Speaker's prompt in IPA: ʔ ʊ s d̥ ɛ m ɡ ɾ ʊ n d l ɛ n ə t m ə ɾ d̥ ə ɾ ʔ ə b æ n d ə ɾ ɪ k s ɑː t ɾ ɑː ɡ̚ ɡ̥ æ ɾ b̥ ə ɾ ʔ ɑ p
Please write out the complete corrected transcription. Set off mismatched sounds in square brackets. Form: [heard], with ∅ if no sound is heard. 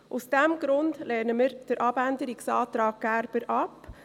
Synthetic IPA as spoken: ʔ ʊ s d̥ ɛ m ɡ ɾ ʊ n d l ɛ n ə [∅] m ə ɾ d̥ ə ɾ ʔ [ɑ] b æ n d ə ɾ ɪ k s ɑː t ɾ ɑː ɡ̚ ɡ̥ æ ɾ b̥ ə ɾ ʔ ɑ p

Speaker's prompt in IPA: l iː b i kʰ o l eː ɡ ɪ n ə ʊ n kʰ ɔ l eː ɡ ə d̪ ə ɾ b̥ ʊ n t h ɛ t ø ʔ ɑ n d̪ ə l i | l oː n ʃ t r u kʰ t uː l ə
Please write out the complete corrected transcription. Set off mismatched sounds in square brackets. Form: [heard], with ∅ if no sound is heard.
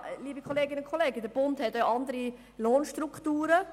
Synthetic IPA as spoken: l iː b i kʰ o l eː ɡ ɪ n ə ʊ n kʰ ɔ l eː ɡ ə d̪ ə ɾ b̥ ʊ n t h ɛ t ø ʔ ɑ n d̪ ə [ɾ] i | l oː n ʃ t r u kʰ t uː [ɾ] ə

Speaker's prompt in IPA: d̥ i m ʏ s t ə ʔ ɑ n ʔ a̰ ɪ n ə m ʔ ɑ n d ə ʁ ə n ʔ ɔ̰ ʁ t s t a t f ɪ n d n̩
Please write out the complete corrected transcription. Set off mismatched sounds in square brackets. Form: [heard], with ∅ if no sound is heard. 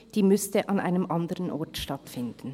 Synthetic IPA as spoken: d̥ [iː] m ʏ s t ə ʔ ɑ n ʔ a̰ ɪ n ə m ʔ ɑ n d ə ʁ ə n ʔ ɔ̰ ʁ t [ʃ] t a t f ɪ n d n̩

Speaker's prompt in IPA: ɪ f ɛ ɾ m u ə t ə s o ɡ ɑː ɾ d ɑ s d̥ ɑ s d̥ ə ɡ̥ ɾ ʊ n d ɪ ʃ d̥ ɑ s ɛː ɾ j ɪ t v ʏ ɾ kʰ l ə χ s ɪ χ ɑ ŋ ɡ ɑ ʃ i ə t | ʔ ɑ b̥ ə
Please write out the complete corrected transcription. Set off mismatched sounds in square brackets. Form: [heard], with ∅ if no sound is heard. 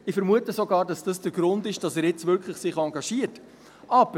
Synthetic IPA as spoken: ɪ f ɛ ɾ m u ə t ə s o ɡ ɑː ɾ d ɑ s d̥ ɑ s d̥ ə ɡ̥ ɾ ʊ n d ɪ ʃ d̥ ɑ s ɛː ɾ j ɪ [t͡s] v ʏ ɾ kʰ l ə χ s ɪ χ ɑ ŋ ɡ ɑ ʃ i ə t | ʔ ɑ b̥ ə

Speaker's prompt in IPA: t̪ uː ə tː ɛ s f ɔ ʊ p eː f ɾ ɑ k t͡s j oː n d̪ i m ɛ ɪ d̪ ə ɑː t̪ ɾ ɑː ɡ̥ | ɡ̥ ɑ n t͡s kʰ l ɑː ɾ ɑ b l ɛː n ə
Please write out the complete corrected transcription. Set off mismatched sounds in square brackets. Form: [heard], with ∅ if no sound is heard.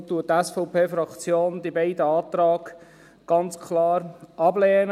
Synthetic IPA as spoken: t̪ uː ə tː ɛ s f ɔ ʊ p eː f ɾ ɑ k t͡s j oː n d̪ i [b] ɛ ɪ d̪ ə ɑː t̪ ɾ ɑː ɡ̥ | ɡ̥ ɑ n t͡s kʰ l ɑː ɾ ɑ b l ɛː n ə

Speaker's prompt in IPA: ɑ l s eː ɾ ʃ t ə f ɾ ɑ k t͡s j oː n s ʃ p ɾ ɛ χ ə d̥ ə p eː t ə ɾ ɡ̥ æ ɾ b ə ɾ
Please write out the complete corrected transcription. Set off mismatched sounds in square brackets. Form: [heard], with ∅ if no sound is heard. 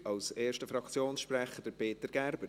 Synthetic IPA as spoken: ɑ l s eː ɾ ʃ t ə f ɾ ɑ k t͡s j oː n s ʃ p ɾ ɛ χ ə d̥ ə p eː t ə ɾ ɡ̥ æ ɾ b ə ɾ

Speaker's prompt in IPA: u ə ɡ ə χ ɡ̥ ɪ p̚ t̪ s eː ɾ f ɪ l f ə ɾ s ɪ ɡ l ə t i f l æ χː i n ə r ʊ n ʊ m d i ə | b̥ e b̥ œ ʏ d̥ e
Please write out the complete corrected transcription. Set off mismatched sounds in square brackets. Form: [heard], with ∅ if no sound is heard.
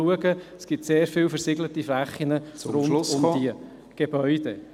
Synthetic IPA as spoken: u ə ɡ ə [s] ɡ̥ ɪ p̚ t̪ s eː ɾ f ɪ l f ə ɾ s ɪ ɡ l ə t i f l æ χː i n ə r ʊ n ʊ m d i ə | [ɡ̥] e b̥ œ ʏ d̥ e

